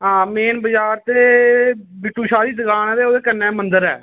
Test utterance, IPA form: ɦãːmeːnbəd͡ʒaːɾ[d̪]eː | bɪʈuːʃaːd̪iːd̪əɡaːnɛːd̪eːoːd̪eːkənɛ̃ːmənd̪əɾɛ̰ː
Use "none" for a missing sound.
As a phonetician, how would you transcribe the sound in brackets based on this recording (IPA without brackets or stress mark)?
t̪